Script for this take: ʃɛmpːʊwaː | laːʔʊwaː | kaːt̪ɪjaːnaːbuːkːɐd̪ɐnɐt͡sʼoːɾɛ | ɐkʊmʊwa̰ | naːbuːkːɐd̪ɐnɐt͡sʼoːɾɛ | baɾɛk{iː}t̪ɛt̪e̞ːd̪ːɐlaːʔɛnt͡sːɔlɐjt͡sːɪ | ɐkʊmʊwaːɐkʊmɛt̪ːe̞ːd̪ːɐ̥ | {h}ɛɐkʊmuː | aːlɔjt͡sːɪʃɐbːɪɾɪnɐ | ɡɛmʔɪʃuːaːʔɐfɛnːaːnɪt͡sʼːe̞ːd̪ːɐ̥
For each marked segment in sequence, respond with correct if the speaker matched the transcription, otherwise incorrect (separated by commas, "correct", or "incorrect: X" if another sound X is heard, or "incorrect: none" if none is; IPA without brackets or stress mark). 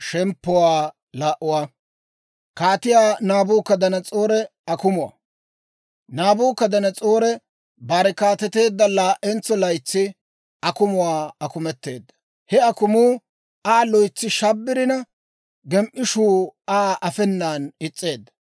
incorrect: aː, correct